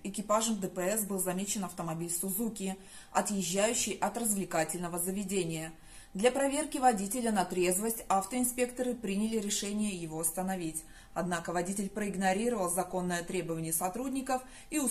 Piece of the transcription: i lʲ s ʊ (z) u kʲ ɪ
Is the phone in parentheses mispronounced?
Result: no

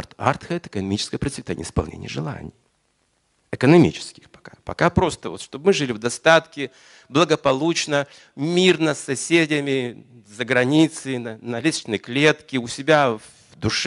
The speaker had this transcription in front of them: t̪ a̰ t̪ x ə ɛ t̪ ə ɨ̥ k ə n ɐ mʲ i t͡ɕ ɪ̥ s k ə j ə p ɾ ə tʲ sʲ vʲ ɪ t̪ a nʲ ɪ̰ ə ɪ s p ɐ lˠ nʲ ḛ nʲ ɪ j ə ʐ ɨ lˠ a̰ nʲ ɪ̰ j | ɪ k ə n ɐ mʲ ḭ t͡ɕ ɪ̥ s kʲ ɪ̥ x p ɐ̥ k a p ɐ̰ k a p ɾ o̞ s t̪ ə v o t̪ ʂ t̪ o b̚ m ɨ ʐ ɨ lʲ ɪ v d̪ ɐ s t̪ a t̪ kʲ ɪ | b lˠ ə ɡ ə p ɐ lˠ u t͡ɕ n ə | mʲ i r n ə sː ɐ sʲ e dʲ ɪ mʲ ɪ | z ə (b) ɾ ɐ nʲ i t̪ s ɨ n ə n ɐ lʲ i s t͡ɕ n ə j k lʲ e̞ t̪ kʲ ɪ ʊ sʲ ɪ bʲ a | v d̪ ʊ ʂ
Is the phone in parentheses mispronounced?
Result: yes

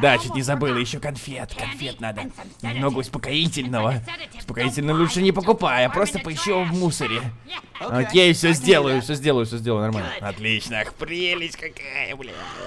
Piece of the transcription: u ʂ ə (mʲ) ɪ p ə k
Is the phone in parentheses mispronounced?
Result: yes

